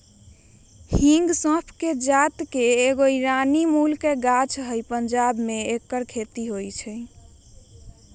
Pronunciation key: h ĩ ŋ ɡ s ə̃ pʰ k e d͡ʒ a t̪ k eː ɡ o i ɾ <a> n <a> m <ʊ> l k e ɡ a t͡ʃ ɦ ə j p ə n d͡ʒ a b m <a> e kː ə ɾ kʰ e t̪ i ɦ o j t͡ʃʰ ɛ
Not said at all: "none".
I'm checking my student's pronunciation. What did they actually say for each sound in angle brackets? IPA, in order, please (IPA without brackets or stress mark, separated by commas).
a, i, u, e